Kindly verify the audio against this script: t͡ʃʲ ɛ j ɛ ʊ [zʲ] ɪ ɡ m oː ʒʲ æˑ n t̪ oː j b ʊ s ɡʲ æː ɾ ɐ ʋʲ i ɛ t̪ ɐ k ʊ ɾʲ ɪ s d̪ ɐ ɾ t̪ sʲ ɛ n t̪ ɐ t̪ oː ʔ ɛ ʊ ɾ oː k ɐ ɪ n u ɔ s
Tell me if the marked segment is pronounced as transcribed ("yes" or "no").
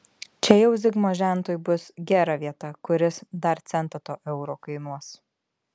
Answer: yes